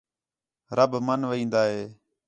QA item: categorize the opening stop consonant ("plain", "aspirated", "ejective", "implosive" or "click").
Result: plain